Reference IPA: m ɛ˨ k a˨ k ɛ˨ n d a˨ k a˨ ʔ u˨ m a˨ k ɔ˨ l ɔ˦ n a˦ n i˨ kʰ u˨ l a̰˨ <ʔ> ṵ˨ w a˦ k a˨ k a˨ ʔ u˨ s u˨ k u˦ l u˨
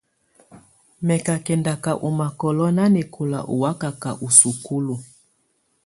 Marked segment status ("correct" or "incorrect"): correct